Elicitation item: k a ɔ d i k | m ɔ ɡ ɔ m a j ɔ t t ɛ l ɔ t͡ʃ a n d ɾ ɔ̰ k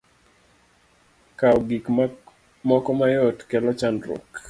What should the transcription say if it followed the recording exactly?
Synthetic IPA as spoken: k a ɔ ɡ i k | m ɔ k ɔ m a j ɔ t k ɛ l ɔ t͡ʃ a n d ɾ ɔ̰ k